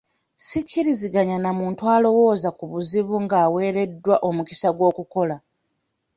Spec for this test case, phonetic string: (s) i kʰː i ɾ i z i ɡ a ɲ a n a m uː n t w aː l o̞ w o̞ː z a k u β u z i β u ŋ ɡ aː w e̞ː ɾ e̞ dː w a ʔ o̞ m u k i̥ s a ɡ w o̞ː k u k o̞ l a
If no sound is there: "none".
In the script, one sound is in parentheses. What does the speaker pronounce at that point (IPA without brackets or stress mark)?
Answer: s